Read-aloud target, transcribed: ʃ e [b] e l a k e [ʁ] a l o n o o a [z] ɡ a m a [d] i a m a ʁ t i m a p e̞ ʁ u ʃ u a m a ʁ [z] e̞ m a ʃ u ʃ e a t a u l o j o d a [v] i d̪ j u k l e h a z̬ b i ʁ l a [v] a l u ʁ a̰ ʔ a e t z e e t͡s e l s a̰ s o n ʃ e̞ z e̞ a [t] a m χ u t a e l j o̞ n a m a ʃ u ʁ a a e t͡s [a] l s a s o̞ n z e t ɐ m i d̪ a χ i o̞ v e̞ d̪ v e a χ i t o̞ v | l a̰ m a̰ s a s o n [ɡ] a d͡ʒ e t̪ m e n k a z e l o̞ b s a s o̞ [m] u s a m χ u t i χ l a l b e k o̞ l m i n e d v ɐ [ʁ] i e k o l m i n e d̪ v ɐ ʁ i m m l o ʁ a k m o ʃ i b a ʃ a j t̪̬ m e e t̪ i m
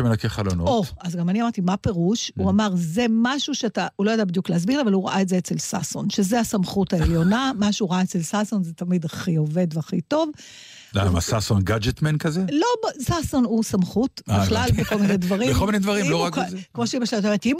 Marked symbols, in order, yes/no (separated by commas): no, no, yes, no, yes, no, yes, no, no, yes, no, yes